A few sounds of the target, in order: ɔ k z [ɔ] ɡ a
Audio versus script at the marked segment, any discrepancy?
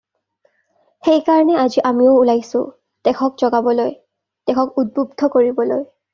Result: no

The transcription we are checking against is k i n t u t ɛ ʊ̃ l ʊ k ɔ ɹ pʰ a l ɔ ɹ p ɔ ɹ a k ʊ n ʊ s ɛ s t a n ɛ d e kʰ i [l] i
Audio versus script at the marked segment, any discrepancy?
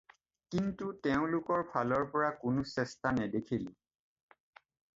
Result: no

